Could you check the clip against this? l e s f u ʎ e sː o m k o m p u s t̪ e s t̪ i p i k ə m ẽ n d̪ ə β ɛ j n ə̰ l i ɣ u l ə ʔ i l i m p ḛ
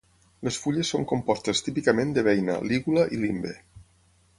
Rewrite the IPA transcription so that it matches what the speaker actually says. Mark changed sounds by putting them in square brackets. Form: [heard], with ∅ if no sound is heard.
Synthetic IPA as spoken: l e s f u ʎ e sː o [ŋ] k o m p [ɔ] s t̪ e s t̪ i p i k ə m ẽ n d̪ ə β ɛ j n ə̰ l i ɣ u l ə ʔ i l i m [b] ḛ